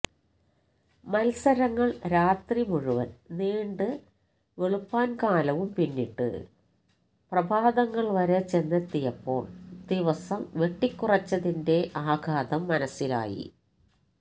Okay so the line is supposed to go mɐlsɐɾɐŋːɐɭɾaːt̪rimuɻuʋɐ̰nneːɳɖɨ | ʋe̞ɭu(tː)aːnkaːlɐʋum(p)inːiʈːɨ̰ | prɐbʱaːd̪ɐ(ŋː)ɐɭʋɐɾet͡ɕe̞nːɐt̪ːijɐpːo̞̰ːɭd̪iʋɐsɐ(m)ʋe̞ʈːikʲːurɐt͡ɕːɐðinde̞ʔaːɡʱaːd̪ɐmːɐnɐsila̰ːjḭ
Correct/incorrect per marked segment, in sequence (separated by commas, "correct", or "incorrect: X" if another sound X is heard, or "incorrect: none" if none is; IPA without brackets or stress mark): incorrect: pː, correct, correct, correct